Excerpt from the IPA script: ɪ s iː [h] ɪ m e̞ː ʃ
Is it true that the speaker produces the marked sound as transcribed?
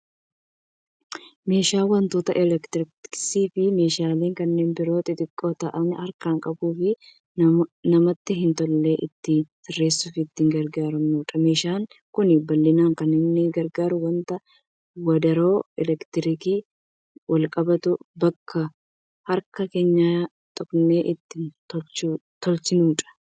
no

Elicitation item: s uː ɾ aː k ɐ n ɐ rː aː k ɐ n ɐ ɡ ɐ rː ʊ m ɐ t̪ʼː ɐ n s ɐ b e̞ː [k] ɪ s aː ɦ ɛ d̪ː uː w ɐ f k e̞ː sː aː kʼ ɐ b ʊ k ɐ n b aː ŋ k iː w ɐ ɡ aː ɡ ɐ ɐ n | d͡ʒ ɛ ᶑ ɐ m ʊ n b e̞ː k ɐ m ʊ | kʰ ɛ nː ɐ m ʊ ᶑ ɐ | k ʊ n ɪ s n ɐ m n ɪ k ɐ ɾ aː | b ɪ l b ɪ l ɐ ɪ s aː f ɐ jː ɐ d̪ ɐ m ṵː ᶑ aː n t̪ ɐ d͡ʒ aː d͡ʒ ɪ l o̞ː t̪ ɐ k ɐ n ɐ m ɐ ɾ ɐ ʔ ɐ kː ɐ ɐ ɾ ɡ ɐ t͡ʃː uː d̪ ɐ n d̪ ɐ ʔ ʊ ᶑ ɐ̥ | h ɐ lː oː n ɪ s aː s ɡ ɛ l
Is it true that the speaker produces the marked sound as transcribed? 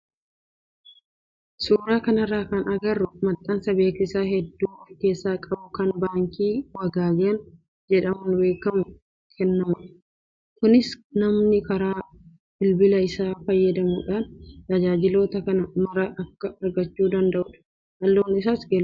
yes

